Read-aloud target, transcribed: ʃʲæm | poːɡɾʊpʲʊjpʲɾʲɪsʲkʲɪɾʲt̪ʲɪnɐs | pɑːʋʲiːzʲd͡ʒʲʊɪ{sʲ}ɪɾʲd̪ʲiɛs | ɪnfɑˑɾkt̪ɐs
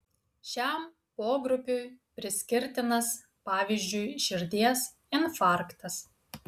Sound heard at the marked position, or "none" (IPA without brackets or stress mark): ʃʲ